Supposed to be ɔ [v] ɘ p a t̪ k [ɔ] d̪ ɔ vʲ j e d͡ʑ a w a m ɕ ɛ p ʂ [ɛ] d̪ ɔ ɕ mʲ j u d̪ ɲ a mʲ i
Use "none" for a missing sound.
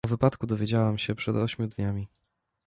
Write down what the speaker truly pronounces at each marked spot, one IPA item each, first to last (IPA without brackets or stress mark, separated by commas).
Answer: v, u, ɛ